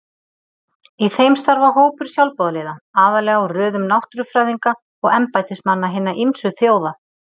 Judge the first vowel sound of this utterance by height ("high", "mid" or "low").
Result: high